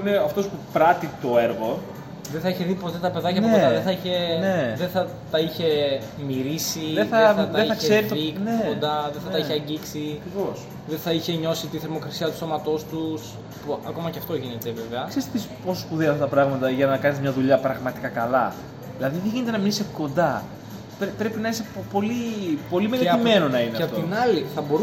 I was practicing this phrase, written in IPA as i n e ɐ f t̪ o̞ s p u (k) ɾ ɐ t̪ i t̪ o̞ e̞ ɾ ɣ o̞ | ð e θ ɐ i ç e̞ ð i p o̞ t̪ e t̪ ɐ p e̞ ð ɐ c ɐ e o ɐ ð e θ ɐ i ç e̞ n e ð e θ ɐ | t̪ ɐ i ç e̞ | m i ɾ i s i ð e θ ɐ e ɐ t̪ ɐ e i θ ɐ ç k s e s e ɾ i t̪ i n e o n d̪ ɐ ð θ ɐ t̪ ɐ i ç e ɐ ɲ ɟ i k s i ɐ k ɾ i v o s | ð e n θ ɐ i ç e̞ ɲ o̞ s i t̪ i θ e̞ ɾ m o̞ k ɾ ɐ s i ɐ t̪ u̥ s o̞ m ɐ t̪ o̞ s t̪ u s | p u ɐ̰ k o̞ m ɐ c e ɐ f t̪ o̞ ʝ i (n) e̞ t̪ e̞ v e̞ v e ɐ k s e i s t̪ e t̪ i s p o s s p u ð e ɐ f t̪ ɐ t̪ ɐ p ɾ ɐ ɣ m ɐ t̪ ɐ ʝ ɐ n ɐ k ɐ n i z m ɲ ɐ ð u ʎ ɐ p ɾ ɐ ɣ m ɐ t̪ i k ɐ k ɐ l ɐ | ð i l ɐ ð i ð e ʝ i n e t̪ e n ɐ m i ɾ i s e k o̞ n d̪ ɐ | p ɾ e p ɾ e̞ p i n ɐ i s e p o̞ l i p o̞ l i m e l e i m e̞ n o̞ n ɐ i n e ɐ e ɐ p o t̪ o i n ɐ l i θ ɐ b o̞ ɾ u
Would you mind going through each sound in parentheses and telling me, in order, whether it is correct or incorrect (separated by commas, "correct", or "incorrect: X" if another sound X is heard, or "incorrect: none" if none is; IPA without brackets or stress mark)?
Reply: incorrect: p, correct